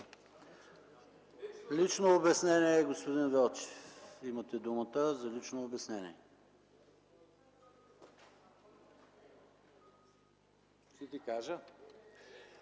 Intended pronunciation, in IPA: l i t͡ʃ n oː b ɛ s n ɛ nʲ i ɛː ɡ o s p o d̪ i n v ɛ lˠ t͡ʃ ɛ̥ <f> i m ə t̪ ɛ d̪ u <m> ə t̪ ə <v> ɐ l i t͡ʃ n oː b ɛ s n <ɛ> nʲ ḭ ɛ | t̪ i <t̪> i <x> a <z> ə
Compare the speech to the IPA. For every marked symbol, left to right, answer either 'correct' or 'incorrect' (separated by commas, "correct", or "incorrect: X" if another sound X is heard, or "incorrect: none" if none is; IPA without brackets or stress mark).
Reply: correct, correct, incorrect: z, correct, correct, incorrect: k, incorrect: ʒ